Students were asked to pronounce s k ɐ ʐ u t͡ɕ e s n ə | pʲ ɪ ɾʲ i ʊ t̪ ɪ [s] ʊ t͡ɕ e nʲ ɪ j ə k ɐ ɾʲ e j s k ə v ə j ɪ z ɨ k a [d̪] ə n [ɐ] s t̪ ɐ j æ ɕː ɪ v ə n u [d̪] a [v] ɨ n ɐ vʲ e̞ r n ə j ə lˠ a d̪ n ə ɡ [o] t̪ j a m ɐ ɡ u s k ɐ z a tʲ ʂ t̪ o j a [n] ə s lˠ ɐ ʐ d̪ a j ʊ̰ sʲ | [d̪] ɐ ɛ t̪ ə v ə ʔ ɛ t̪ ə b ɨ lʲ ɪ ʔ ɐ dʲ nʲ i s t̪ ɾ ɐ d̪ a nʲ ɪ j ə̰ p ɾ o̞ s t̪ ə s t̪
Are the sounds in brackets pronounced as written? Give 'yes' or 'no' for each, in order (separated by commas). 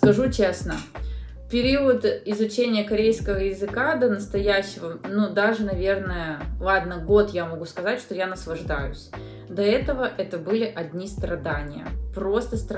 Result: no, yes, no, yes, no, yes, yes, yes